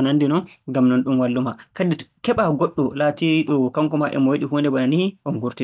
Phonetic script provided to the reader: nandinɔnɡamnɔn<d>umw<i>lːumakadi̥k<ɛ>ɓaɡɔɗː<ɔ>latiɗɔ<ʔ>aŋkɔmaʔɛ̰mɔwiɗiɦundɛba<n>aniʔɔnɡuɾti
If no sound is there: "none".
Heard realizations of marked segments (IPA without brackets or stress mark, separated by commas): ɗ, a, ɛ, ɔ, k, n